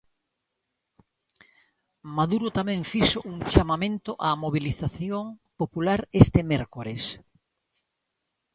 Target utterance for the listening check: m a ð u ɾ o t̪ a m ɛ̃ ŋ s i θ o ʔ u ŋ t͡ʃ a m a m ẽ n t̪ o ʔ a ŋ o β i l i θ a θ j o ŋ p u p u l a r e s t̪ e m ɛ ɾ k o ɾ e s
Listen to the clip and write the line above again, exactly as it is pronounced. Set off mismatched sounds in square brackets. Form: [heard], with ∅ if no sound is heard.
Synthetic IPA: m a ð u ɾ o t̪ a m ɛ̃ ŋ [f] i [ʃ] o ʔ u ŋ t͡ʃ a m a m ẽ n t̪ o ʔ a [m] o β i l i θ a θ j o ŋ p [o] p u l a [ɾ] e s t̪ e m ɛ ɾ k o ɾ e s